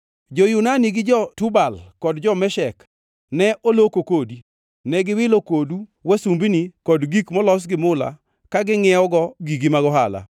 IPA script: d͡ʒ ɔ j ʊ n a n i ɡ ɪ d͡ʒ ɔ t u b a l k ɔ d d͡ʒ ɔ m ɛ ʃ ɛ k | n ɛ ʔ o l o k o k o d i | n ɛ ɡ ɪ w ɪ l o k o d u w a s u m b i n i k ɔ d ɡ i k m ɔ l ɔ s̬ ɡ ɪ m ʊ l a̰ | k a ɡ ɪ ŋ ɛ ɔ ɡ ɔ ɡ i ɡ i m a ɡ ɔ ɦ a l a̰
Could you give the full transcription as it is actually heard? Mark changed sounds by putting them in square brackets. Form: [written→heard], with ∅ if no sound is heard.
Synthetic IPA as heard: d͡ʒ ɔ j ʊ n a n i ɡ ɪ d͡ʒ ɔ t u b a l k ɔ d d͡ʒ ɔ m ɛ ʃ ɛ k | n ɛ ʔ o l o k o k o d i | n ɛ ɡ ɪ w ɪ l o k o d u w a s u m b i n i k ɔ d ɡ i k m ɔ l ɔ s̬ ɡ ɪ m ʊ l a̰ | k a ɡ ɪ ŋ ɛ ɔ ɡ ɔ ɡ i ɡ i m a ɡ ɔ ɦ a l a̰

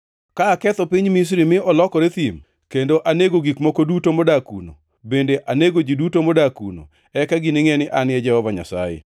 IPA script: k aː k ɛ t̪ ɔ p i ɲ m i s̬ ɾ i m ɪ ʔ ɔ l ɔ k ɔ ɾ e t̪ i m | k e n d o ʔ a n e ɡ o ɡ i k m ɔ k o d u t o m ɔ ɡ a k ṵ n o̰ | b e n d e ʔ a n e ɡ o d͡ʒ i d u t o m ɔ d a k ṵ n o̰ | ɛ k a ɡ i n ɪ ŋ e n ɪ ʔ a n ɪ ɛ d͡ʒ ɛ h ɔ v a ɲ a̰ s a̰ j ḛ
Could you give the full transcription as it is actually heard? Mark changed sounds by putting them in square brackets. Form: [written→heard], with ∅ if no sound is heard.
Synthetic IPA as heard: k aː k ɛ t̪ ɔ p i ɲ m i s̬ ɾ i m ɪ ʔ ɔ l ɔ k ɔ ɾ e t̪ i m | k e n d o ʔ a n e ɡ o ɡ i k m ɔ k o d u t o m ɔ [ɡ→d] a k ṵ n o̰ | b e n d e ʔ a n e ɡ o d͡ʒ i d u t o m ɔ d a k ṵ n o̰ | ɛ k a ɡ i n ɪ ŋ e n ɪ ʔ a n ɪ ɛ d͡ʒ ɛ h ɔ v a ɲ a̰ s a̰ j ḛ

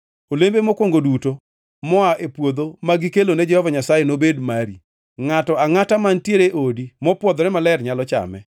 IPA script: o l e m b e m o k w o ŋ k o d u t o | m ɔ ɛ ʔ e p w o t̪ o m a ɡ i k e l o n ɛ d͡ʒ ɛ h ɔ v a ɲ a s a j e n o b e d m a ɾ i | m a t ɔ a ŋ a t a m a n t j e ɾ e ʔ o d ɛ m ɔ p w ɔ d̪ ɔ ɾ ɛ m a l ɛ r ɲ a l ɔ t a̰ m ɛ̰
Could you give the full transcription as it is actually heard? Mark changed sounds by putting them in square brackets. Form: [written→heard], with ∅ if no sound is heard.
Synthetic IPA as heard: o l e m b e m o k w o ŋ [k→ɡ] o d u t o | m ɔ [ɛ→a] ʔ e p w o [t̪→d̪] o m a ɡ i k e l o n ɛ d͡ʒ ɛ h ɔ v a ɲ a s a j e n o b e d m a ɾ i | [m→ŋ] a t ɔ a ŋ a t a m a n t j e ɾ e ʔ o d [ɛ→i] m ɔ p w ɔ d̪ ɔ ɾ ɛ m a l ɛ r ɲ a l ɔ [t→t͡ʃ] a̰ m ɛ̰

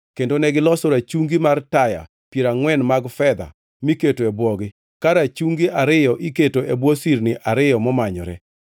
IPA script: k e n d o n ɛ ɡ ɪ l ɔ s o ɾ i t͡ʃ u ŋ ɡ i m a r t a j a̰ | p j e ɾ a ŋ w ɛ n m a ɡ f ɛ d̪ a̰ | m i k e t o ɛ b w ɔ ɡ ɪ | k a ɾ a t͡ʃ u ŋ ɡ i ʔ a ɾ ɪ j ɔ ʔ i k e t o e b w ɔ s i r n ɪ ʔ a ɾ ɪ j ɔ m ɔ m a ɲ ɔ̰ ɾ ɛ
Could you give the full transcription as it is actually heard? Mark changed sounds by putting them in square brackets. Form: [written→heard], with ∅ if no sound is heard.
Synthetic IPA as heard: k e n d o n ɛ ɡ ɪ l ɔ s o ɾ [i→a] t͡ʃ u ŋ ɡ i m a r t a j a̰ | p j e ɾ a ŋ w ɛ n m a ɡ f ɛ d̪ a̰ | m i k e t o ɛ b w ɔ ɡ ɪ | k a ɾ a t͡ʃ u ŋ ɡ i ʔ a ɾ ɪ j ɔ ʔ i k e t o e b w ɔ s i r n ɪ ʔ a ɾ ɪ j ɔ m ɔ m a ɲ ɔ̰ ɾ ɛ

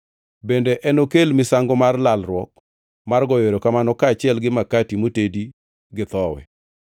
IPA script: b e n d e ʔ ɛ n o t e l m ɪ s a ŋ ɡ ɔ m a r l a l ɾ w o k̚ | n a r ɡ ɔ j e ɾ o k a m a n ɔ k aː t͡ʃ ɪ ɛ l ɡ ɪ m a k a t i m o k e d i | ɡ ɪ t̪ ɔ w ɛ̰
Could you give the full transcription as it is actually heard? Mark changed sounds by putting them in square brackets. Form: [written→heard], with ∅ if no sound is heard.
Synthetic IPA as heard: b e n d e ʔ ɛ n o [t→k] e l m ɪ s a ŋ ɡ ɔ m a r l a l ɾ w [o→ɔ] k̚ | [n→m] a r ɡ ɔ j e ɾ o k a m a n ɔ k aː t͡ʃ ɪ ɛ l ɡ ɪ m a k a t i m o [k→t] e d i | ɡ ɪ t̪ ɔ w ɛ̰

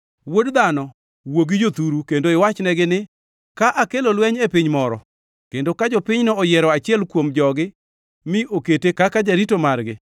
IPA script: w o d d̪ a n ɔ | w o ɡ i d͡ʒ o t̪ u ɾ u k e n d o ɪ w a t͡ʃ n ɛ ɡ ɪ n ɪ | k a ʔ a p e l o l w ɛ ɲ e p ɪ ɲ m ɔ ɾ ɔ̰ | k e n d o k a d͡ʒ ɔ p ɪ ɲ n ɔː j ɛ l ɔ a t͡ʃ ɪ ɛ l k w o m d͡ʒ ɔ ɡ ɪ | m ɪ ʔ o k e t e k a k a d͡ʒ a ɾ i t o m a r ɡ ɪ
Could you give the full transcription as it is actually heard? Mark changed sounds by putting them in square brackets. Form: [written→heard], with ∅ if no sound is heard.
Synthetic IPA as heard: w o d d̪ a n ɔ | w o ɡ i d͡ʒ o t̪ u ɾ u k e n d o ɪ w a t͡ʃ n ɛ ɡ ɪ n ɪ | k a ʔ a [p→k] e l o l w ɛ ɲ e p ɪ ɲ m ɔ ɾ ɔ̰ | k e n d o k a d͡ʒ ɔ p ɪ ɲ n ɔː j ɛ [l→ɾ] ɔ a t͡ʃ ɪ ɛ l k w o m d͡ʒ ɔ ɡ ɪ | m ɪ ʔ o k e t e k a k a d͡ʒ a ɾ i t o m a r ɡ ɪ

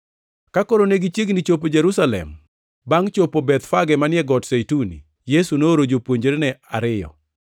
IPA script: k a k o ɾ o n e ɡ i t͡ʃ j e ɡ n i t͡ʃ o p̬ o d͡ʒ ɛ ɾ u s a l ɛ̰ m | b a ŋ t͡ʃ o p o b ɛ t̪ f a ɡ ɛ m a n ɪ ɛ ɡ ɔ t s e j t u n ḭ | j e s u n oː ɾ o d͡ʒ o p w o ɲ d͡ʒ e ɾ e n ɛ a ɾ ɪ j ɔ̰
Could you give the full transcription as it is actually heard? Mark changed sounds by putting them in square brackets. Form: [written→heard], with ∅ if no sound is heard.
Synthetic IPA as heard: k a k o ɾ o n e ɡ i t͡ʃ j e ɡ n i t͡ʃ o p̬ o d͡ʒ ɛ ɾ u s a l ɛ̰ m | b a ŋ t͡ʃ o p o b ɛ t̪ f a ɡ ɛ m a n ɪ ɛ ɡ ɔ t s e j t u n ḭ | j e s u n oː ɾ o d͡ʒ o p w o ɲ d͡ʒ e ɾ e n ɛ a ɾ ɪ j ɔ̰

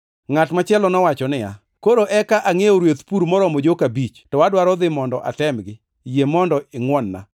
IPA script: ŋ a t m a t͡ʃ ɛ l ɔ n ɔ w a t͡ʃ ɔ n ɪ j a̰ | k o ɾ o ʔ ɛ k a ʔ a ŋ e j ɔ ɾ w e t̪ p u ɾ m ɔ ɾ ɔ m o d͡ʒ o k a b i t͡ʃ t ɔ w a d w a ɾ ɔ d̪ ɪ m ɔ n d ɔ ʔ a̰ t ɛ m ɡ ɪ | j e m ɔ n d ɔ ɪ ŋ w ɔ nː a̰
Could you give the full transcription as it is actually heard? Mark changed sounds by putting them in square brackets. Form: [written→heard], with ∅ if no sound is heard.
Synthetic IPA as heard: ŋ a t m a t͡ʃ ɛ l ɔ n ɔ w a t͡ʃ ɔ n ɪ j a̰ | k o ɾ o ʔ ɛ k a ʔ a ŋ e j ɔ ɾ w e t̪ p u ɾ m ɔ ɾ ɔ m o d͡ʒ o k a b i t͡ʃ t ɔ w a d w a ɾ ɔ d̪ ɪ m ɔ n d ɔ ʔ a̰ t ɛ m ɡ ɪ | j e m ɔ n d ɔ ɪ ŋ w ɔ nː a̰

